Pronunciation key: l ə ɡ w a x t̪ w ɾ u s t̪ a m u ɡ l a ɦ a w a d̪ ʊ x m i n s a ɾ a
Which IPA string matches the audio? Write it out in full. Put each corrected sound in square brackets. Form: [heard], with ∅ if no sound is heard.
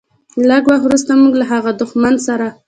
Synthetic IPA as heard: l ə ɡ w a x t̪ w ɾ u s t̪ a m u ɡ l a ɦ a [ɣ] a d̪ ʊ x m [a] n s a ɾ a